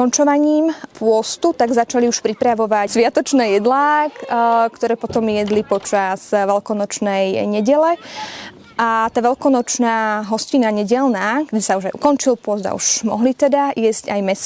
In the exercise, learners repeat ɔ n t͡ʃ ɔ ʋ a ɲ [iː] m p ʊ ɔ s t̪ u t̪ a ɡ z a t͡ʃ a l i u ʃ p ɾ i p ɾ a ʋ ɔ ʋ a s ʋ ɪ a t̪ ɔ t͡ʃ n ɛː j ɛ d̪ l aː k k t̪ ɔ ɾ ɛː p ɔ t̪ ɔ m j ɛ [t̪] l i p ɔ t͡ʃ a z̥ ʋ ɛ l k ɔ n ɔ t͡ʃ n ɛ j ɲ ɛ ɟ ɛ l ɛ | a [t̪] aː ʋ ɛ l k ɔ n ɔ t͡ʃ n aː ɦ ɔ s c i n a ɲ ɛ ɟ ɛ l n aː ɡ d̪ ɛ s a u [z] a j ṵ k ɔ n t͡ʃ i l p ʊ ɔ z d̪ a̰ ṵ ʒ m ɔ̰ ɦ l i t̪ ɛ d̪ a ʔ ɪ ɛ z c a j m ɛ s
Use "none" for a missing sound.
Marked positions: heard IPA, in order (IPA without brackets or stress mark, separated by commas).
iː, d̪, t̪, ʒ